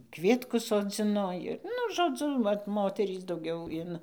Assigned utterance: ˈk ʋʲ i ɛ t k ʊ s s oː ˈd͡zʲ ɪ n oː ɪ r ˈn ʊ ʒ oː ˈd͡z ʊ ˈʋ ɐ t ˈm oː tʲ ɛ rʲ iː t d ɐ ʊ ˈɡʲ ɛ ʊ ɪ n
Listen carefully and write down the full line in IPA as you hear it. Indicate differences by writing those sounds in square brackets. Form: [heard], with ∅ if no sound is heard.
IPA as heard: ˈk ʋʲ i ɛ t k ʊ s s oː ˈd͡zʲ ɪ n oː ɪ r ˈn ʊ ʒ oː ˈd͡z ʊ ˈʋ ɐ t ˈm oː tʲ ɛ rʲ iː [s] d ɐ ʊ ˈɡʲ ɛ ʊ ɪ n